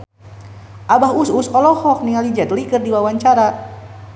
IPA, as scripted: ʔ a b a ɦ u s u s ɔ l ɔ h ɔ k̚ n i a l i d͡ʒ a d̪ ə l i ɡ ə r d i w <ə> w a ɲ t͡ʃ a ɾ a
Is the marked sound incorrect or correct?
incorrect